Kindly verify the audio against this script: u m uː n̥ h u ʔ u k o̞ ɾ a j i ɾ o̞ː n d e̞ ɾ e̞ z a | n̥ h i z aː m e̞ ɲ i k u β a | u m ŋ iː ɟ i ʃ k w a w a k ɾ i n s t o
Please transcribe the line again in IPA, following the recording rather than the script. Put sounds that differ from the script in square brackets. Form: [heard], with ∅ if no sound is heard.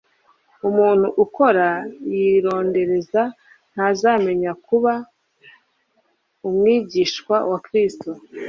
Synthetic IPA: u m uː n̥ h u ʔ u k o̞ ɾ a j i ɾ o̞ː n d e̞ ɾ e̞ z a | n̥ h [a] z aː m e̞ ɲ [a] k u β a | u m ŋ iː ɟ i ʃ k w a w a k ɾ i [∅] s t o